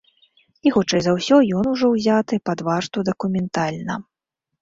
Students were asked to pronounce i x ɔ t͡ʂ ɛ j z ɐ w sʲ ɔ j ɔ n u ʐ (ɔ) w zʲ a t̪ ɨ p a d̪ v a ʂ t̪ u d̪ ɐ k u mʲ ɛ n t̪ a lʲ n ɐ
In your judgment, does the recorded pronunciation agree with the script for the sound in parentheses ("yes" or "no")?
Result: yes